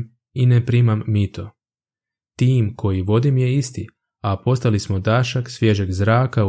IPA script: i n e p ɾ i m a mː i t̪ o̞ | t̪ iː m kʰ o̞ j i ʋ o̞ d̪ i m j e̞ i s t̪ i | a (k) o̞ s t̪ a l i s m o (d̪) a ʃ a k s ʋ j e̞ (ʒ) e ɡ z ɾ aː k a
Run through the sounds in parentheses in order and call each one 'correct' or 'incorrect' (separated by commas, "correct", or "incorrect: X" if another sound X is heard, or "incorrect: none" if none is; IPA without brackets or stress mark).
incorrect: p, correct, correct